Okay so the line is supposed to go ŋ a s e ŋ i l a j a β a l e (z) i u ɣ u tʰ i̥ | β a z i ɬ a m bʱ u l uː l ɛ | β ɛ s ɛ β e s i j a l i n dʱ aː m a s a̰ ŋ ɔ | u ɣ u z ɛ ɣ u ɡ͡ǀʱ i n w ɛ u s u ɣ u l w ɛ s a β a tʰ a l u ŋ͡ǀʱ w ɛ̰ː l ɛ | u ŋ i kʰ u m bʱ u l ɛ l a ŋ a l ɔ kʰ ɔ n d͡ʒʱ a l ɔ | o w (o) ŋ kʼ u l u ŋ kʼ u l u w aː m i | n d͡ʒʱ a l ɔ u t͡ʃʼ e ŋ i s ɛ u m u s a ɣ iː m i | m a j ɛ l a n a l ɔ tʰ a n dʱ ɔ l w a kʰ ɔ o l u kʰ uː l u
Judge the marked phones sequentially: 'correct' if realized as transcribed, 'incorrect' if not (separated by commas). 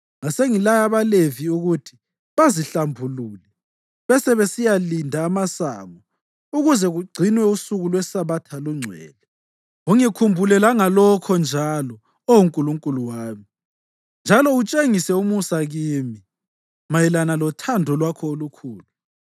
incorrect, incorrect